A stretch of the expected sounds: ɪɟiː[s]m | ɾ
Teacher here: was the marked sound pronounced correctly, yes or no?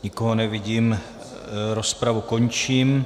no